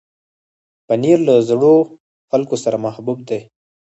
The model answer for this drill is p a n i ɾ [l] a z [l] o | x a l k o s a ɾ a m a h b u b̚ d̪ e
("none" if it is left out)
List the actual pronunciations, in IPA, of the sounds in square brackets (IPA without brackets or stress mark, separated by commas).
l, ɽ